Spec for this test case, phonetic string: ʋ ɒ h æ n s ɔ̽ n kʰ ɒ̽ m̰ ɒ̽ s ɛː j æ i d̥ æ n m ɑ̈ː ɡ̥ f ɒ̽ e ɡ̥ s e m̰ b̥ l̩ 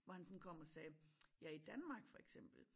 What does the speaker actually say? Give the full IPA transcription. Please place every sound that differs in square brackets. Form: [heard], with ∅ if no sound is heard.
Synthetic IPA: ʋ ɒ h æ n s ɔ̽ n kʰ ɒ̽ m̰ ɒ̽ s ɛː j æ i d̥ æ n m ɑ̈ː ɡ̥ f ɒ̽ e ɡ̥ s e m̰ b̥ l̩